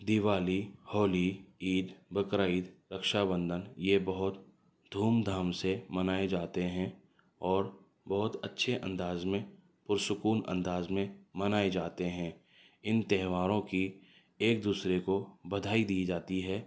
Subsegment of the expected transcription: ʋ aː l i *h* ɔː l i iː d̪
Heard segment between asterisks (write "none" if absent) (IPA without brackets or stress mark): h